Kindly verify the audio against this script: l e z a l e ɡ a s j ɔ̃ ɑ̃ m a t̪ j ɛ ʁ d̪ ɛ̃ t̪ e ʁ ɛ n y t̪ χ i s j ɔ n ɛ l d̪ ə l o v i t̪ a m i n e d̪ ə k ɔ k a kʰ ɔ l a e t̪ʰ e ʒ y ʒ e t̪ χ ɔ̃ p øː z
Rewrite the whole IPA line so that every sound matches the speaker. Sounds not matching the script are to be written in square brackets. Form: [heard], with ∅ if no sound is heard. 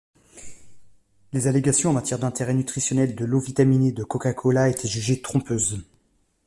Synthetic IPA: l e z a l e ɡ a s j ɔ̃ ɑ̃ m a t̪ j ɛ ʁ d̪ ɛ̃ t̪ e ʁ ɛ n y t̪ χ i s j ɔ n ɛ l d̪ ə l o v i t̪ a m i n e d̪ ə k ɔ k a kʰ ɔ l a e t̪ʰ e ʒ y ʒ e t̪ χ ɔ̃ p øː z